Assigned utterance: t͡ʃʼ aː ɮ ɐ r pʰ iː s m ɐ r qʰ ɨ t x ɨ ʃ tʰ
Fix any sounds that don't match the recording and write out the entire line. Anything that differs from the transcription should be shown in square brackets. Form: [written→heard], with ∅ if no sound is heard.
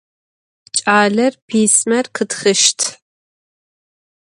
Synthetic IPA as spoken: t͡ʃʼ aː ɮ ɐ r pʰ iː s m ɐ r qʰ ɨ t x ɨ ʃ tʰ